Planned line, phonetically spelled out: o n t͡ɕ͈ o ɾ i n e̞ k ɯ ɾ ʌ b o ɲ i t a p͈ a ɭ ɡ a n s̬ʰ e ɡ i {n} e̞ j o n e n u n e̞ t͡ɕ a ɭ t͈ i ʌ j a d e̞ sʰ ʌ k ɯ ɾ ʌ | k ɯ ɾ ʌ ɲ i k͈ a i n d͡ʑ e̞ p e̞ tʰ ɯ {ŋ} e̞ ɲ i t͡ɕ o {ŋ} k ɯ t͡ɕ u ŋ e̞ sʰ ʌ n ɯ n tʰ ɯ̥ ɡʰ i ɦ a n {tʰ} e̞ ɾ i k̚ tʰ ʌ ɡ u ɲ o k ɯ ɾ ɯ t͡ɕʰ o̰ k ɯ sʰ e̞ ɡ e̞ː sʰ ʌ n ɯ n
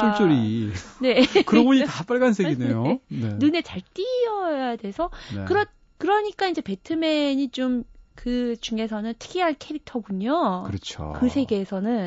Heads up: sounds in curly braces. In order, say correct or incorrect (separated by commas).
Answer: correct, incorrect, incorrect, incorrect